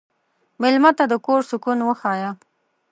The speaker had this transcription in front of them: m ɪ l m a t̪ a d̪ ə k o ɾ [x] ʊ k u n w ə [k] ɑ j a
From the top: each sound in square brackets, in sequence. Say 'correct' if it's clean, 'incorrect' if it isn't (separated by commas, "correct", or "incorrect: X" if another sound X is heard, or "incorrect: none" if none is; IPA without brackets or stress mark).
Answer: incorrect: s, incorrect: x